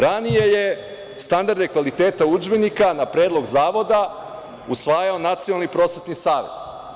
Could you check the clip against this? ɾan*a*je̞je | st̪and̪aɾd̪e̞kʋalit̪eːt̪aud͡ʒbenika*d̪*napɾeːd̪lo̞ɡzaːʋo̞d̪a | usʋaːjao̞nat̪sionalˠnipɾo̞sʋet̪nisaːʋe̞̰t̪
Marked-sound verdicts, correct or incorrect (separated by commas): incorrect, incorrect